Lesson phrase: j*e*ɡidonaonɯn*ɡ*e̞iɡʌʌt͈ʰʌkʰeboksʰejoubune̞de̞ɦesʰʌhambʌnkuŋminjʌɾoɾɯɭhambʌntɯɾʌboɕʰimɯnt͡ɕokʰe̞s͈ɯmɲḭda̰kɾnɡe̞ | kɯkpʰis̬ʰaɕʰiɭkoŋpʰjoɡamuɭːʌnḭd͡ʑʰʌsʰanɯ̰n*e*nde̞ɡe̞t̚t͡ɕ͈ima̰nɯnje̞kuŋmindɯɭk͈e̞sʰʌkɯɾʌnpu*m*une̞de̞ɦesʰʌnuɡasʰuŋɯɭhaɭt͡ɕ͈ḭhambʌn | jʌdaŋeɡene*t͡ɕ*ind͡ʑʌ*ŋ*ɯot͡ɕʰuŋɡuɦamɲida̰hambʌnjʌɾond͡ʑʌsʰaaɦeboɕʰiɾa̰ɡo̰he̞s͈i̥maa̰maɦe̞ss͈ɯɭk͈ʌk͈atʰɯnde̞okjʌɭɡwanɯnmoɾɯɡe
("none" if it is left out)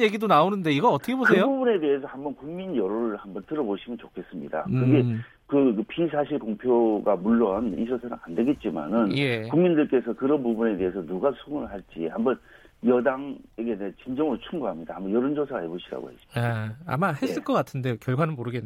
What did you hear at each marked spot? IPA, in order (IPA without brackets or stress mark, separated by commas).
e, d, a, b, t͡ɕ, ŋ